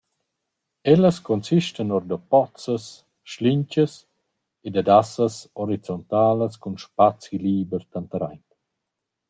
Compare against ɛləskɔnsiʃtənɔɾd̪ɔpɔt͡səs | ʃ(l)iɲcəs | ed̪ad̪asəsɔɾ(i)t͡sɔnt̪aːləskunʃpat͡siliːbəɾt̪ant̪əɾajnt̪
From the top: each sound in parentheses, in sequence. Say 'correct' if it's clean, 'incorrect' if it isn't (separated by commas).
correct, correct